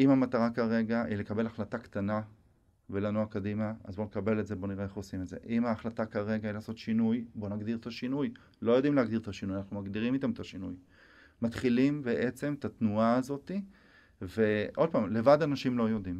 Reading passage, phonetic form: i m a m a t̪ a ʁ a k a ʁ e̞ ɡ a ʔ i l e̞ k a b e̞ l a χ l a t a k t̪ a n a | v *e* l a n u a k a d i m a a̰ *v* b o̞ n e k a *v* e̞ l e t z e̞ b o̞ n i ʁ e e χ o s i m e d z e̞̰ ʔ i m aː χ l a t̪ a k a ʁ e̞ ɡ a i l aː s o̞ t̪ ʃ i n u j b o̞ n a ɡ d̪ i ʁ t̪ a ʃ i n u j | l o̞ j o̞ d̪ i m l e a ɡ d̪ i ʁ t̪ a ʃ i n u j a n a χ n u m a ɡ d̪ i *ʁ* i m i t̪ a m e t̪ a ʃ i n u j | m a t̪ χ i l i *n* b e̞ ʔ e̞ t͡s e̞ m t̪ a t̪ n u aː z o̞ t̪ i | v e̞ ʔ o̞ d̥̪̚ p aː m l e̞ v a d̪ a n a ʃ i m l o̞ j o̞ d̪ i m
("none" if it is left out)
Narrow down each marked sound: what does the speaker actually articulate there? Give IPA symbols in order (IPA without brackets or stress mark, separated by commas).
e, z, b, ʁ, m